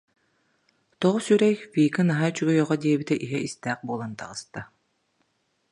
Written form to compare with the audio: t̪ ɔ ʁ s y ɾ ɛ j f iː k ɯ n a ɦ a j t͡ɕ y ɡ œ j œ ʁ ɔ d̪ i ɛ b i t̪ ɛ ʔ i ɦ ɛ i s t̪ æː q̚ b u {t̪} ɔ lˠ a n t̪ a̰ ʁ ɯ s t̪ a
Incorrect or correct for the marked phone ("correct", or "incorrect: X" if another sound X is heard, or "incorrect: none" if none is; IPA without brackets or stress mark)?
incorrect: none